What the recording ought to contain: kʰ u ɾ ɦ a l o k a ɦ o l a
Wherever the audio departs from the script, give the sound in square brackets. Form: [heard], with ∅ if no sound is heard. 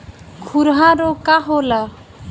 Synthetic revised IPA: kʰ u ɾ ɦ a [ɾ] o k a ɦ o l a